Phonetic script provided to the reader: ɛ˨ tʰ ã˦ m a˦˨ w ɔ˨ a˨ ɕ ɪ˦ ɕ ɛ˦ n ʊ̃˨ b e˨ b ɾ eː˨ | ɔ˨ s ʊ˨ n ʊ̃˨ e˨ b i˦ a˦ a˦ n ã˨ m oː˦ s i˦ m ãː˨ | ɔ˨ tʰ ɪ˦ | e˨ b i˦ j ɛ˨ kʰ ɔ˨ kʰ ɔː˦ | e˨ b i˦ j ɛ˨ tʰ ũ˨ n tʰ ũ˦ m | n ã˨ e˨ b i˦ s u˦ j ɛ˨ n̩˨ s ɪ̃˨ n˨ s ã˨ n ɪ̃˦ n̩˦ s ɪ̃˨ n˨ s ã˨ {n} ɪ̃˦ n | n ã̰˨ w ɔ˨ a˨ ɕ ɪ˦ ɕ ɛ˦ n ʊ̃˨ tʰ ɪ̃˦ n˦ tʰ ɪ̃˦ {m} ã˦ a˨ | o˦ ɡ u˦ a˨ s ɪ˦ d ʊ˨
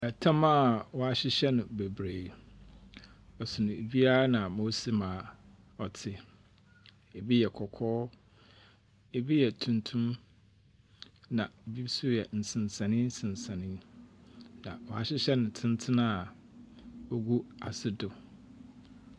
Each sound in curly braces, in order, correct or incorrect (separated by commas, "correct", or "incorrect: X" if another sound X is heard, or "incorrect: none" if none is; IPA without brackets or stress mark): correct, incorrect: n